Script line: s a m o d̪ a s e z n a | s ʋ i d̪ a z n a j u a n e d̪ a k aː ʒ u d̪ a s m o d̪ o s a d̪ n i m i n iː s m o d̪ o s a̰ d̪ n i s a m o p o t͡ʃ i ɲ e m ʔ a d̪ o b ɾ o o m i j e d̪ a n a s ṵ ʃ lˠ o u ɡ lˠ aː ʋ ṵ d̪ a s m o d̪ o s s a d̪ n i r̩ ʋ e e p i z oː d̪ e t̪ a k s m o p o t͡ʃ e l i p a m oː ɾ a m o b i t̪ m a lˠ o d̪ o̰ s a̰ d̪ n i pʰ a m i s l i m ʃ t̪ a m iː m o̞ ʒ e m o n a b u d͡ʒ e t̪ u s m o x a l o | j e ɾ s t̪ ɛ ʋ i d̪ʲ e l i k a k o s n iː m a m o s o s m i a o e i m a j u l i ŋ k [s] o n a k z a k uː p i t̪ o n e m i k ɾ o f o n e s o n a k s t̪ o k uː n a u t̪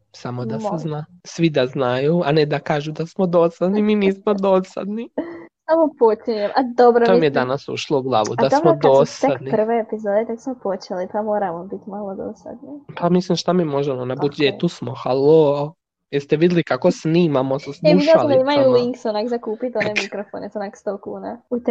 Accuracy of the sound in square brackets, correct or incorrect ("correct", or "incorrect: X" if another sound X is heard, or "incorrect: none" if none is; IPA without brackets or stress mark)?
correct